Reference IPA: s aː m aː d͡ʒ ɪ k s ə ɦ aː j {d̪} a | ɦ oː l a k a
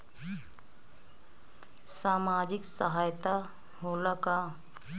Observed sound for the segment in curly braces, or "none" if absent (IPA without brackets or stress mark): t̪